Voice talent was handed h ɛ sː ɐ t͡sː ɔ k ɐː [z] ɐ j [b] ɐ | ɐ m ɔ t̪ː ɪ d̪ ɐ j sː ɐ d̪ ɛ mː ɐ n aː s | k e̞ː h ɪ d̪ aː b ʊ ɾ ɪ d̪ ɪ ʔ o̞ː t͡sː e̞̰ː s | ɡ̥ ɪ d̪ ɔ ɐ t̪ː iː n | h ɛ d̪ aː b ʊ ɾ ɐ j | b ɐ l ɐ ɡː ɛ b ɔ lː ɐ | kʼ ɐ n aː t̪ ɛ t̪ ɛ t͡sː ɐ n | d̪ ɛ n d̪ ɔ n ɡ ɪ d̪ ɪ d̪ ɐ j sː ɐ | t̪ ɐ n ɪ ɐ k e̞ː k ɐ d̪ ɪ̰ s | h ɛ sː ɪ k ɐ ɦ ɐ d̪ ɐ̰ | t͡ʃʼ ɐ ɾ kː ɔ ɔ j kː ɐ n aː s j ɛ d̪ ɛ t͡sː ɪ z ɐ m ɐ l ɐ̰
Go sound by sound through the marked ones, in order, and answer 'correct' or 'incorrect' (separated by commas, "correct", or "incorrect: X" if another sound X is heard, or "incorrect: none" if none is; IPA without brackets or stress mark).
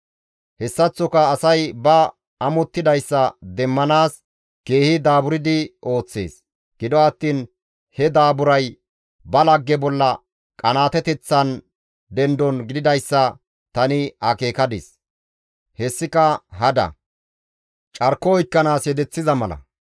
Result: incorrect: s, correct